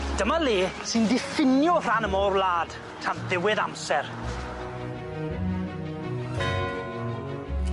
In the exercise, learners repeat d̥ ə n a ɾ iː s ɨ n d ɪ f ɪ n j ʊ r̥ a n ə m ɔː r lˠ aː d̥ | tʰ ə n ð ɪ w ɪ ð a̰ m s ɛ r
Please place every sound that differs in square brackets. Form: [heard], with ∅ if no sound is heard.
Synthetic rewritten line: d̥ ə [m] a [l] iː s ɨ n d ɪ f ɪ n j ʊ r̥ a n ə m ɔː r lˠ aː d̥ | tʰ [a] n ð ɪ w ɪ ð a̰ m s ɛ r